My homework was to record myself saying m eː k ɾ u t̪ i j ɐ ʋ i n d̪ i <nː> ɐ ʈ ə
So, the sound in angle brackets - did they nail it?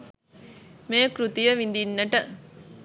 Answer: yes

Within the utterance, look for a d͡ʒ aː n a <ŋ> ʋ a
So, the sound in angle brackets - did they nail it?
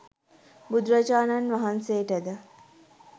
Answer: no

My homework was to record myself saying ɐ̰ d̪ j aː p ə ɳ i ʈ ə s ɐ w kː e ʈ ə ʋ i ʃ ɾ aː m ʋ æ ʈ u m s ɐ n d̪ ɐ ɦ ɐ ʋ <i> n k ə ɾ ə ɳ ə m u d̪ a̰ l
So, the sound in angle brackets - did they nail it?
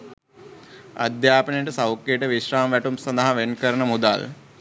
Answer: no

